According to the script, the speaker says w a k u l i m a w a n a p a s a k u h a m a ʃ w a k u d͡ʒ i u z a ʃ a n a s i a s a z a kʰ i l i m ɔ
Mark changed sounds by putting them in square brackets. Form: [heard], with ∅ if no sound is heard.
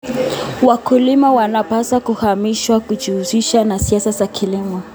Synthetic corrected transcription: w a k u l i m a w a n a p a s a k u h a m [i] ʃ w a k u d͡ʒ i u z [i] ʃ a n a s i a s a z a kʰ i l i m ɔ